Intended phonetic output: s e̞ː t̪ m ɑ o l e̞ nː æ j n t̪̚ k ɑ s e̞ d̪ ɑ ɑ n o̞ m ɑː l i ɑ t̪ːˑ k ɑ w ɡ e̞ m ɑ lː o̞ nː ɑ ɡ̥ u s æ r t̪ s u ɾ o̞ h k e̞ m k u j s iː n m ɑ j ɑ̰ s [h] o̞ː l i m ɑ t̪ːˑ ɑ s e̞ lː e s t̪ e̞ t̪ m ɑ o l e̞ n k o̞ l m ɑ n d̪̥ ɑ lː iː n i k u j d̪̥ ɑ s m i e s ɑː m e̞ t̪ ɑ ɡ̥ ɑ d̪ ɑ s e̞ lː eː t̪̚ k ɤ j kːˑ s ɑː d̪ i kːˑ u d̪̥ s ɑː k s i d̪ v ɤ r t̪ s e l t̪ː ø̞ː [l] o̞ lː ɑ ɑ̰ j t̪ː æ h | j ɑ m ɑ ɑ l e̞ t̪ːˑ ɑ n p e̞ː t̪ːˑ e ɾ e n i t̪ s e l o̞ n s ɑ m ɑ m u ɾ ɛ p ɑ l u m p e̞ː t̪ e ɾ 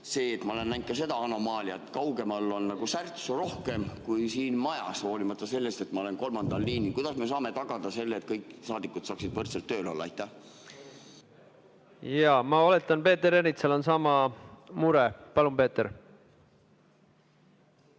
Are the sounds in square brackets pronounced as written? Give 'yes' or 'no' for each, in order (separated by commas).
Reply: yes, yes